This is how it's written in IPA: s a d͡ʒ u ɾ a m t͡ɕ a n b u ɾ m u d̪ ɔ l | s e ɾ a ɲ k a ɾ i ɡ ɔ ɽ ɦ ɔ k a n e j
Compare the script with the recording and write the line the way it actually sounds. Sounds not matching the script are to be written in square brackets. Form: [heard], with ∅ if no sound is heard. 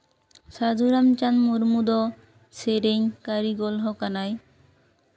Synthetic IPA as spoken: s a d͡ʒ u ɾ a m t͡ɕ a n [m] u ɾ m u d̪ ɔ [∅] | s e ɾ [e] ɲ k a ɾ i ɡ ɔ [l] ɦ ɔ k a n [a] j